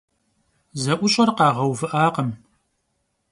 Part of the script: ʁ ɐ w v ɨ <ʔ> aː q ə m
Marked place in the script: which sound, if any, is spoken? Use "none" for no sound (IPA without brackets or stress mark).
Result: ʔ